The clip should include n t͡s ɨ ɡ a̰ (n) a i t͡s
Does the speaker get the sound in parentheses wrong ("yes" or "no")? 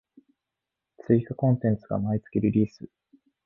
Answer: yes